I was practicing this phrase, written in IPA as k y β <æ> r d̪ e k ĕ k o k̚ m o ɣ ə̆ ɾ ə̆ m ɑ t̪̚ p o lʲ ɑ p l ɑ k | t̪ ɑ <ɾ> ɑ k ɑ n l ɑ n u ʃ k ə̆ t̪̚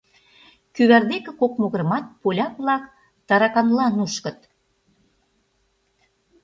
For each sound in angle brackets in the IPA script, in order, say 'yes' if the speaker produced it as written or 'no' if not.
yes, yes

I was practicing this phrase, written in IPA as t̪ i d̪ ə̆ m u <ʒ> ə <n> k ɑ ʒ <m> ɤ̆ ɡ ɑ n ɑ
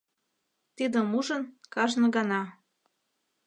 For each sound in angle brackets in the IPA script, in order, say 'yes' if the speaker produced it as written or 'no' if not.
yes, yes, no

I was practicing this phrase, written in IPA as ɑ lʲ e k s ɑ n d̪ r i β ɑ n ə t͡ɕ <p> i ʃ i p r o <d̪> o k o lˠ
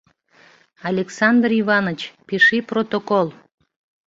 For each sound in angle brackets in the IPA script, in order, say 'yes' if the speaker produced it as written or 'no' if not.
yes, no

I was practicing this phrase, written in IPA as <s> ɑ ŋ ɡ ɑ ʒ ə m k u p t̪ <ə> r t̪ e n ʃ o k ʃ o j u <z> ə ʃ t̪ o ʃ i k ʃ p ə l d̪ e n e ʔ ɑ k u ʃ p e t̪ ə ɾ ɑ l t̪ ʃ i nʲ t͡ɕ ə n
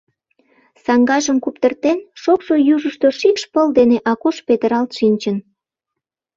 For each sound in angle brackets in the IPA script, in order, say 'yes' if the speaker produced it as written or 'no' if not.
yes, yes, no

